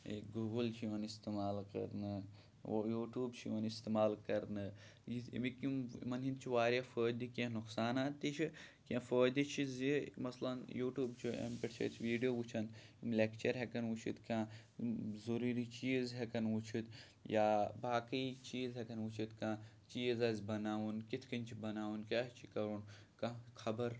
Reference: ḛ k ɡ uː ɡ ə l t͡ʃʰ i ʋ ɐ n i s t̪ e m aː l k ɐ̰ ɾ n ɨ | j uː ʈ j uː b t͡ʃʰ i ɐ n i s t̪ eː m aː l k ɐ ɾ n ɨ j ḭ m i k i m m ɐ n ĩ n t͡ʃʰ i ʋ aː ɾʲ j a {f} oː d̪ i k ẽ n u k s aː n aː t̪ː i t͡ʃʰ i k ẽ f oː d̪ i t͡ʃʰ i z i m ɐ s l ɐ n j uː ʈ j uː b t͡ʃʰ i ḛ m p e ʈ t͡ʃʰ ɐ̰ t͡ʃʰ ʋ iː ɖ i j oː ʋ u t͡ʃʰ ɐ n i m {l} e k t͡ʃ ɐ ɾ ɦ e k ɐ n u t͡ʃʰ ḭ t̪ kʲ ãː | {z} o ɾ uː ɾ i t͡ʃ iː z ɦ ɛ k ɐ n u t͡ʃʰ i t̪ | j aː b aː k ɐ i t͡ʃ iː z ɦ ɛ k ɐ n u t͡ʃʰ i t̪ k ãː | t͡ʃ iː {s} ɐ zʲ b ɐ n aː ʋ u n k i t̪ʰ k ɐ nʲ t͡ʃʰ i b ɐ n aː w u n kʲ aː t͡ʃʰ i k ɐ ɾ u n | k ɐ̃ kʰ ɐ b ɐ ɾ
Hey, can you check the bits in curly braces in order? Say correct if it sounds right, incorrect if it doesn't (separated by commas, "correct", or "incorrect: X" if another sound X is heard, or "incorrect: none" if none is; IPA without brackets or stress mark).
correct, correct, correct, incorrect: z